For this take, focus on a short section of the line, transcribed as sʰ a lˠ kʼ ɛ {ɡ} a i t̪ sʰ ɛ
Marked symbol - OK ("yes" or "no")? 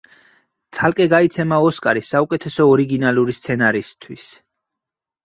yes